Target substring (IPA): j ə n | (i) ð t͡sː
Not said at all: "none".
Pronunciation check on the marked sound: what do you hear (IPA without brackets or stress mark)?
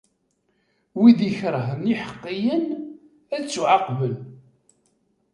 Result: æ